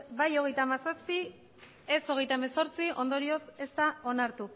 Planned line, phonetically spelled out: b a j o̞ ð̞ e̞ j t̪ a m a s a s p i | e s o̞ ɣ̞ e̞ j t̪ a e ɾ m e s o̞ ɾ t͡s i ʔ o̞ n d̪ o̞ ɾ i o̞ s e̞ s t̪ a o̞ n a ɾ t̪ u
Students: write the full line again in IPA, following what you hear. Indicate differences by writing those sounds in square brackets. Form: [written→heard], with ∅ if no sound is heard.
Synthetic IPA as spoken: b a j o̞ [ð̞→ɣ̞] e̞ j t̪ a m a s a s p i | e s o̞ ɣ̞ e̞ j t̪ a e [ɾ→∅] m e s o̞ ɾ t͡s i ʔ o̞ n d̪ o̞ ɾ i o̞ s e̞ s t̪ a o̞ n a ɾ t̪ u